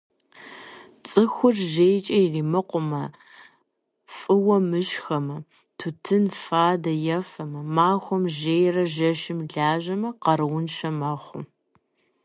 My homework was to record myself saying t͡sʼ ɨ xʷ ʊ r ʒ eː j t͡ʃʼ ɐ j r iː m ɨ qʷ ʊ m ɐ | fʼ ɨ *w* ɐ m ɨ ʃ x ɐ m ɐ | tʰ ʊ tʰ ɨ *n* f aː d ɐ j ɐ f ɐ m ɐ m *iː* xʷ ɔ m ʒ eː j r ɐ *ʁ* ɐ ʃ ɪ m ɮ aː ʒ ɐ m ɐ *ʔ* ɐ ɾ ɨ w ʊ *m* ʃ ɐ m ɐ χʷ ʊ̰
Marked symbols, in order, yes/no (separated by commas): yes, yes, no, no, no, no